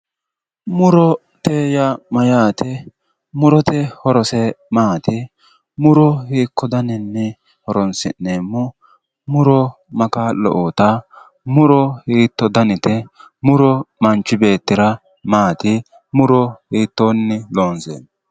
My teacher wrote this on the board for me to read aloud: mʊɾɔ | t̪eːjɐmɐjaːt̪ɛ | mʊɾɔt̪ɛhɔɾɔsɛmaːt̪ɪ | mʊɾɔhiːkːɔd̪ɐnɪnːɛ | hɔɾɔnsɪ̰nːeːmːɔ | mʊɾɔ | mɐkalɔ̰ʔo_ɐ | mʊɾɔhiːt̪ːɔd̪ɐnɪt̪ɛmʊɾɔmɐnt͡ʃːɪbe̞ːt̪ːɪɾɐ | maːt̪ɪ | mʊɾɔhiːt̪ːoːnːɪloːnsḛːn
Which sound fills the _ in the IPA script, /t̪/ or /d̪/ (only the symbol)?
t̪